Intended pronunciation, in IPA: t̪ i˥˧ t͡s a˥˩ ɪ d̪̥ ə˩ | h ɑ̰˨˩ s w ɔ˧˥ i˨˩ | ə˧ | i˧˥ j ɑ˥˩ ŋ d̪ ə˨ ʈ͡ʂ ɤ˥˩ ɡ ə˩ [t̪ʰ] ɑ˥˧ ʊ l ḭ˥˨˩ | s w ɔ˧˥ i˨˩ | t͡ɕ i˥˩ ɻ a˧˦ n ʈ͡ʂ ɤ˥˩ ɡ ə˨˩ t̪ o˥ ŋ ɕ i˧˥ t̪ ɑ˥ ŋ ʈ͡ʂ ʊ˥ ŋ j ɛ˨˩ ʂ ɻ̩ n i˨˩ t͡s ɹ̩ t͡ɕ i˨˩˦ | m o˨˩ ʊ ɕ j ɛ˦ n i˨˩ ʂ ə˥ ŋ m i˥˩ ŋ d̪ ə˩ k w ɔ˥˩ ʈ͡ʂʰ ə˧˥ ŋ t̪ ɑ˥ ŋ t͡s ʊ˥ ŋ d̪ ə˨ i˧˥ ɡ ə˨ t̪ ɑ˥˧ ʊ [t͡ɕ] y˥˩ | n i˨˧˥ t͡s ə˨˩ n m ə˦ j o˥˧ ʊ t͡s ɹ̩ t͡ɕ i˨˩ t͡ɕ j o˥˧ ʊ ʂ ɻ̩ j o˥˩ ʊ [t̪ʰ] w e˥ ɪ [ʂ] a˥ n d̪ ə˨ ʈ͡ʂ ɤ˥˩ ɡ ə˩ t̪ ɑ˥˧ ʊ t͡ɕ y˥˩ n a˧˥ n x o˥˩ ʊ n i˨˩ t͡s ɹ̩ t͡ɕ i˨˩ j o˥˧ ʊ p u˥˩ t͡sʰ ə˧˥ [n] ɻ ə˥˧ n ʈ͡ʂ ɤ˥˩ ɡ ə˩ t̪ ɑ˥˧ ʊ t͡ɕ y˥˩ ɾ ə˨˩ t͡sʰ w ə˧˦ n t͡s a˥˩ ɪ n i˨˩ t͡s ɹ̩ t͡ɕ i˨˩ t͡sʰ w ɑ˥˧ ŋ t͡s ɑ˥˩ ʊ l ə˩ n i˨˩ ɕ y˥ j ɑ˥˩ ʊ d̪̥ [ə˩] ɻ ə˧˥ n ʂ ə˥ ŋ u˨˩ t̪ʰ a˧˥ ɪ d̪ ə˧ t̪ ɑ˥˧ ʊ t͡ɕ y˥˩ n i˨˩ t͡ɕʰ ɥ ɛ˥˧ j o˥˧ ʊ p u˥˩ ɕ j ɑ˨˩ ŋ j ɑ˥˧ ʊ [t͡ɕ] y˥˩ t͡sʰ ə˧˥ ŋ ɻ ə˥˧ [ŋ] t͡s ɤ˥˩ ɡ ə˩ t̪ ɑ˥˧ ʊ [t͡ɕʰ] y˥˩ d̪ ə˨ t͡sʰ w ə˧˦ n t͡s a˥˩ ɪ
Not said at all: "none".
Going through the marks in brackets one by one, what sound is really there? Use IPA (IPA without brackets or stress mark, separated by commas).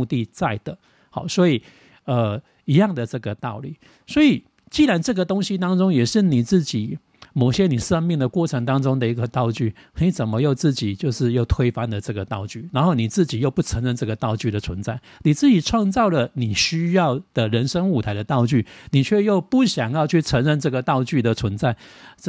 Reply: t̪, t͡ɕ, t̪ʰ, f, ŋ, ə˩, t͡ɕʰ, n, t͡ɕ